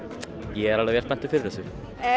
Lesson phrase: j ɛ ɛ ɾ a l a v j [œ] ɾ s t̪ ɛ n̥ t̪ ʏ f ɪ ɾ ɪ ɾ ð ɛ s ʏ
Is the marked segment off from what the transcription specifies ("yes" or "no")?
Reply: yes